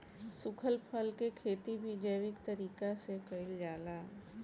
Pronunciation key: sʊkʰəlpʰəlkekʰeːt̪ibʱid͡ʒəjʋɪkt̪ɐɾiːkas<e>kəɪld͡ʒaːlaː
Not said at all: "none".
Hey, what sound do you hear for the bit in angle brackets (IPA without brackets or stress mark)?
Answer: e